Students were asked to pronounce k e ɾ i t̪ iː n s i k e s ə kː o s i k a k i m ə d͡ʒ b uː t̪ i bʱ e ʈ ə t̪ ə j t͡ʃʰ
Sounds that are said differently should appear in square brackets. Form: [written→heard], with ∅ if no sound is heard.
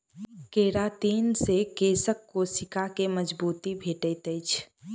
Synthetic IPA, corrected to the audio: k e ɾ [i→a] t̪ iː n s [i→e] k e s ə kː o s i k a k [i→e] m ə d͡ʒ b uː t̪ i bʱ e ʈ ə t̪ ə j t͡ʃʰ

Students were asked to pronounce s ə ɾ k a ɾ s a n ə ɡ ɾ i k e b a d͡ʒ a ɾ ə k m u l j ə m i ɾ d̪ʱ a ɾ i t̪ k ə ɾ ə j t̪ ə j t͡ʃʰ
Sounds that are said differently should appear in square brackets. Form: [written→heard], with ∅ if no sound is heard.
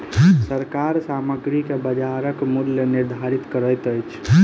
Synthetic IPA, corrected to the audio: s ə ɾ k a ɾ s a [n→m] ə ɡ ɾ i k e b [a→ə] d͡ʒ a ɾ ə k m u l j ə [m→n] i ɾ d̪ʱ a ɾ i t̪ k ə ɾ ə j t̪ ə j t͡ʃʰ

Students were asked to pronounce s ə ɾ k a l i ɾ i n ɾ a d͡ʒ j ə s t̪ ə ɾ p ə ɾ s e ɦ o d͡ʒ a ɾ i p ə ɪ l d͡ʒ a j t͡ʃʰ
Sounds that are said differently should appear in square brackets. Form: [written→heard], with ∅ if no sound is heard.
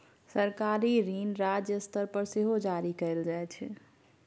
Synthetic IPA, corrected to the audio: s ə ɾ k a [l→ɾ] i ɾ i n ɾ a d͡ʒ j ə s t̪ ə ɾ p ə ɾ s e ɦ o d͡ʒ a ɾ i [p→k] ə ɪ l d͡ʒ a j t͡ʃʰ

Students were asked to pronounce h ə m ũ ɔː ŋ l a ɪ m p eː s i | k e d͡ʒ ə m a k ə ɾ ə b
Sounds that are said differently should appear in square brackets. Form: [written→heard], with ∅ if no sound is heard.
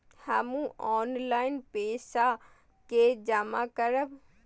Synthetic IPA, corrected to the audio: h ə m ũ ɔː [ŋ→n] l a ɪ [m→n] p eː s [i→a] | k e d͡ʒ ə m a k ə ɾ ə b

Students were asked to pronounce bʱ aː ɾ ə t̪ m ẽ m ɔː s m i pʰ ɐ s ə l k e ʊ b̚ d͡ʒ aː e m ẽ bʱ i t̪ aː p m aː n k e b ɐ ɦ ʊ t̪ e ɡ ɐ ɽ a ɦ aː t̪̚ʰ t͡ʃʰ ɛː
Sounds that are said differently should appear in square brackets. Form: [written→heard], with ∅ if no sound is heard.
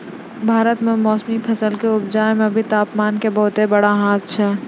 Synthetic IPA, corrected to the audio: bʱ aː ɾ ə t̪ m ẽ m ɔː s m i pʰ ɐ s ə l k e ʊ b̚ d͡ʒ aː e m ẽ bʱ i t̪ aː p m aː n k e b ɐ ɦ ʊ t̪ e [ɡ→b] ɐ ɽ a ɦ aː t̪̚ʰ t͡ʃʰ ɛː

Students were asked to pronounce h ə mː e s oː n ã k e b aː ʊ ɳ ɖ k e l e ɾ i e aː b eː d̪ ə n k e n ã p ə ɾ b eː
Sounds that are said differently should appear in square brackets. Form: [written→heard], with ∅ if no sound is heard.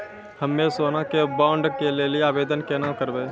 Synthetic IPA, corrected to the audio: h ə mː e s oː n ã k e b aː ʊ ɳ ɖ k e l e [ɾ→l] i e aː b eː d̪ ə n k e n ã [p→k] ə ɾ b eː

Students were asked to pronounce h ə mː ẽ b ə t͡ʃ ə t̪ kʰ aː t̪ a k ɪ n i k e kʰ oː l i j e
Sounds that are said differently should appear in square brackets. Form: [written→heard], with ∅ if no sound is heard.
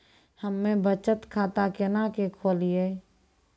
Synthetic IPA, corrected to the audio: h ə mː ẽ b ə t͡ʃ ə t̪ kʰ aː t̪ a k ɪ n [i→a] k e kʰ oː l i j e

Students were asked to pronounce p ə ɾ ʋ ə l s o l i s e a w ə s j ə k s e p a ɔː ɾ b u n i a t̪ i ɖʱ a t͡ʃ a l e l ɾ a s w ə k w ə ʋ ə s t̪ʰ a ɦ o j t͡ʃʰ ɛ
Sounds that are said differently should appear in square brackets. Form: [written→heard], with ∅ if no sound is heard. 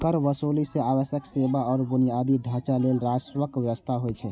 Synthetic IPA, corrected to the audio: [p→k] ə ɾ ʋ ə [l→∅] s o l i s e a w ə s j ə k s e [p→b] a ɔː ɾ b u n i a [t̪→d̪] i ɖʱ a t͡ʃ a l e l ɾ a s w ə k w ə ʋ ə s t̪ʰ a ɦ o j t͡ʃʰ ɛ

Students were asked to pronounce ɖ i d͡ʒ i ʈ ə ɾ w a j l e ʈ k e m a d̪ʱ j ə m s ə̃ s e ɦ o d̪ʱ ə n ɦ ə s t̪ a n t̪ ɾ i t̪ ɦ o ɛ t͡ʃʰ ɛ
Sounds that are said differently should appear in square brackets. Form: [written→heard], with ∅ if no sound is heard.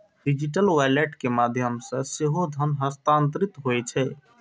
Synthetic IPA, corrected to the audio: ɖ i d͡ʒ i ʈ ə [ɾ→l] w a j l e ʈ k e m a d̪ʱ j ə m s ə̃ s e ɦ o d̪ʱ ə n ɦ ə s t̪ a n t̪ ɾ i t̪ ɦ o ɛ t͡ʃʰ ɛ

